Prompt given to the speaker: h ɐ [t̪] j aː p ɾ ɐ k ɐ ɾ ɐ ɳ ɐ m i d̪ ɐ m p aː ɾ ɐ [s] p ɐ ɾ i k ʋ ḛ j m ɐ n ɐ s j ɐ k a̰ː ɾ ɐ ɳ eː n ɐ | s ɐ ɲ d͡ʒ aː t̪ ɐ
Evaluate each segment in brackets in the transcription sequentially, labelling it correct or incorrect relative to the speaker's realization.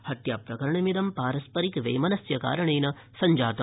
correct, correct

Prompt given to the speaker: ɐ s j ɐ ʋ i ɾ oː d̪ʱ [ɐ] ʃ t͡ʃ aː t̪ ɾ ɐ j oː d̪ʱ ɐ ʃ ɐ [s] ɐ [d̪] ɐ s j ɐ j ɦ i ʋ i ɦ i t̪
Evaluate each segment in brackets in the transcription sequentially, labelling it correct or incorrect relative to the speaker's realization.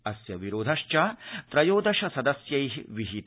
correct, correct, correct

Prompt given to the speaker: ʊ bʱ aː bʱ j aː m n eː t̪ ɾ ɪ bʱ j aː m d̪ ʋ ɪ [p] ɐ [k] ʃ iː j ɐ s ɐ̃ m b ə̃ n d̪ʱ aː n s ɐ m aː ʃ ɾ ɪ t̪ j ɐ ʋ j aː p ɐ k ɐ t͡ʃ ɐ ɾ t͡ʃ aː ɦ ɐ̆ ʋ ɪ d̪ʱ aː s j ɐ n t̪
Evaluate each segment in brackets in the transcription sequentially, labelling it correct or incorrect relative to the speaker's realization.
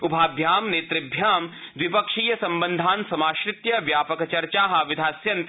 correct, correct

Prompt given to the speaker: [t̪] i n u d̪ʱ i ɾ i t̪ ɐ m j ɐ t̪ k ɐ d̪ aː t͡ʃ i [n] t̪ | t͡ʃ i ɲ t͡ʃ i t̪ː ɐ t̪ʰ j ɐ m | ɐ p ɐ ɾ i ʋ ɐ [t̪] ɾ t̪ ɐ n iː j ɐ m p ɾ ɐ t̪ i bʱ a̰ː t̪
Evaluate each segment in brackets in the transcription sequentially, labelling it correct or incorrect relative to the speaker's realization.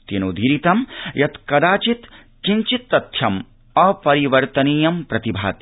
correct, incorrect: none, incorrect: none

